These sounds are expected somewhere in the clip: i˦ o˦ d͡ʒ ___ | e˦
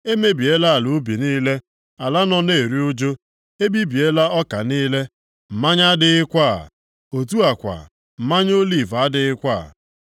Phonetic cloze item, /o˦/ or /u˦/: o˦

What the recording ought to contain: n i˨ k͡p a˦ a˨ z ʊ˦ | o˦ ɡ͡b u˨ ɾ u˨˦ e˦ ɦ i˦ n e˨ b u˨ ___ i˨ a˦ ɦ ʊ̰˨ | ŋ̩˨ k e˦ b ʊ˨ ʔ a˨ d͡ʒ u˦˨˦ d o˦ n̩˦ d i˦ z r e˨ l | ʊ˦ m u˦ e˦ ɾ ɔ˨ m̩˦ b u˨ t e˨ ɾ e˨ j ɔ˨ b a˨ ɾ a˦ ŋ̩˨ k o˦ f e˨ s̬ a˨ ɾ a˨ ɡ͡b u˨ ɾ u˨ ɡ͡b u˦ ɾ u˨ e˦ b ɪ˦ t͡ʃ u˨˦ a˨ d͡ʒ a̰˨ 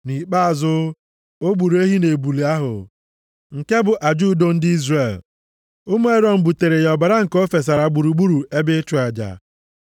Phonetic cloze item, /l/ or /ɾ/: l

